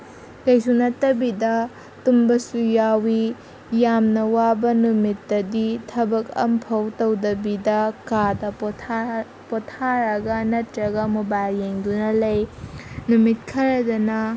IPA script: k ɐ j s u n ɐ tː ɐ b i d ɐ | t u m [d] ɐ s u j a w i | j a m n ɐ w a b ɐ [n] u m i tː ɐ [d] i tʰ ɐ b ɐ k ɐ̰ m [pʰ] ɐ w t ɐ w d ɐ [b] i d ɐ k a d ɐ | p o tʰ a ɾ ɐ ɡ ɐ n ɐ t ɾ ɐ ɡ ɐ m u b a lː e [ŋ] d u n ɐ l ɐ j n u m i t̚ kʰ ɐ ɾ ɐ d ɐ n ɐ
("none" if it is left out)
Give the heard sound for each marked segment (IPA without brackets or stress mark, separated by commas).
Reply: b, n, d, pʰ, b, ŋ